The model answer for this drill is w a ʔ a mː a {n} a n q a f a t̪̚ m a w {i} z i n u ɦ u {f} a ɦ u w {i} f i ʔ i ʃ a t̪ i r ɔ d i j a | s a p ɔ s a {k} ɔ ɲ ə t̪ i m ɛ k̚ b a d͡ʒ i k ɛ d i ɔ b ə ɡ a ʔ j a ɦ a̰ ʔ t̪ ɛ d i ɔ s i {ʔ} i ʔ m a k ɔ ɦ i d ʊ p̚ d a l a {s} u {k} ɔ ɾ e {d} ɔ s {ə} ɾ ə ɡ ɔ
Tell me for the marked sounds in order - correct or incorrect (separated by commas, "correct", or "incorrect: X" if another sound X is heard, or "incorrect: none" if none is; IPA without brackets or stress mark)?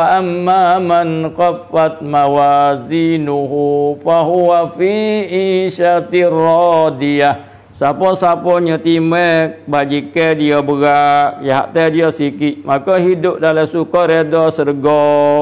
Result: incorrect: m, incorrect: a, correct, incorrect: a, incorrect: p, incorrect: k, correct, correct, correct, correct